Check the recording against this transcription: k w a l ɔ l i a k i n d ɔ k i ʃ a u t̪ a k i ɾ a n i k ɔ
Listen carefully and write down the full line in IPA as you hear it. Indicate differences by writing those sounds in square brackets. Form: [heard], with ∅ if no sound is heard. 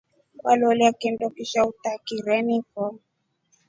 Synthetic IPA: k w a l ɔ l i a k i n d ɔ k i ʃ a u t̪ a k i ɾ [ɛ] n i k ɔ